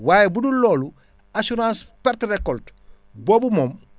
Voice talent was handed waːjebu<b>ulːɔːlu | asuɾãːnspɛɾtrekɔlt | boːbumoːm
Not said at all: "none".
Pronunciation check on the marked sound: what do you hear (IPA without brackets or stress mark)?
d